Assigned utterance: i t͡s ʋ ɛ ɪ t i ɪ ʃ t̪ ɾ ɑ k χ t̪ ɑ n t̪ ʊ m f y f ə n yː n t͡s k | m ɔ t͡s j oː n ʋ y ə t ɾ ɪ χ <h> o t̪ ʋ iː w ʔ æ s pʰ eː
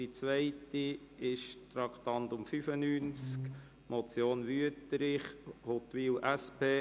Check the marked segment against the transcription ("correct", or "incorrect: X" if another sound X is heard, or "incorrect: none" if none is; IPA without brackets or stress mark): correct